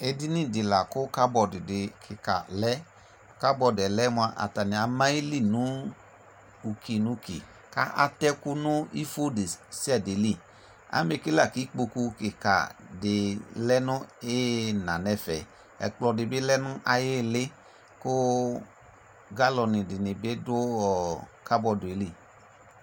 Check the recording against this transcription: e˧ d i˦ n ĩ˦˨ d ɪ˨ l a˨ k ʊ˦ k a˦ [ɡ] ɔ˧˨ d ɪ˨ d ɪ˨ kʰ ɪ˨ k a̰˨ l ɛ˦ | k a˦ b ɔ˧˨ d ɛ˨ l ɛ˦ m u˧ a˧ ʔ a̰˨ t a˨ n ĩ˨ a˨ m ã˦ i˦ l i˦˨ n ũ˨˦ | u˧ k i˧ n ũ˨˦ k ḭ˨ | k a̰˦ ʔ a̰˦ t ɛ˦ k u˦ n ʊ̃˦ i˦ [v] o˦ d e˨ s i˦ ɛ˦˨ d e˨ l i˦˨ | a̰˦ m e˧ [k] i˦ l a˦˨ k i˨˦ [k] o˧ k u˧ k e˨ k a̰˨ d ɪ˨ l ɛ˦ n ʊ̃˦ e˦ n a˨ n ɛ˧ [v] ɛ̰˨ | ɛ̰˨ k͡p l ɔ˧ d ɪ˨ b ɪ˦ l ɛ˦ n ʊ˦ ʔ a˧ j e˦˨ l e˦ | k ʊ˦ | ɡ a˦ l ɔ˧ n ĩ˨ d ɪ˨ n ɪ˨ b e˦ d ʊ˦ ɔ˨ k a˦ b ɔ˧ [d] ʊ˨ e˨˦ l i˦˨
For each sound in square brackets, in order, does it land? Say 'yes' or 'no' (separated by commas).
no, no, yes, no, no, yes